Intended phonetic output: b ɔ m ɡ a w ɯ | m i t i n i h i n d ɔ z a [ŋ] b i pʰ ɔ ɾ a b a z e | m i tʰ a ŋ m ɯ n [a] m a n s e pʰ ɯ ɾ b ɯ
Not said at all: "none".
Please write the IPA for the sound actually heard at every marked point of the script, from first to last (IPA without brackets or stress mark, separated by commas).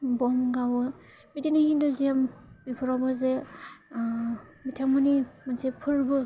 m, i